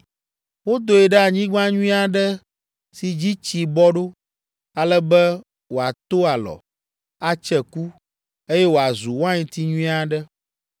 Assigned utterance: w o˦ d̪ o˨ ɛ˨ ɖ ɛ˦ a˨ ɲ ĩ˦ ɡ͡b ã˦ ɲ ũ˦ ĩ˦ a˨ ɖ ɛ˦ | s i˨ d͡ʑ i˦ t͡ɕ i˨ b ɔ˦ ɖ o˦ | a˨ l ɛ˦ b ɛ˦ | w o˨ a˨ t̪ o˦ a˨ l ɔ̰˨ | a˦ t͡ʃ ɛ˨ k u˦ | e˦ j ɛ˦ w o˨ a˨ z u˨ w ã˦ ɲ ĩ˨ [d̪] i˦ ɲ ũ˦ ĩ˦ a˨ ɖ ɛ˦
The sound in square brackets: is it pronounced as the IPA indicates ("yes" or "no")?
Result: no